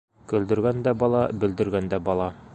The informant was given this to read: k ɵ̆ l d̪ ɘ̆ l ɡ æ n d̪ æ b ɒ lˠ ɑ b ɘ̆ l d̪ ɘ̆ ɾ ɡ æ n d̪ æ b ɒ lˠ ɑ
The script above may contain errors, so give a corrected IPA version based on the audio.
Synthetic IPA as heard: k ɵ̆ l d̪ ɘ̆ ɾ ɡ æ n d̪ æ b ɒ lˠ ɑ b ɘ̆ l d̪ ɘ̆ ɾ ɡ æ n d̪ æ b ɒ lˠ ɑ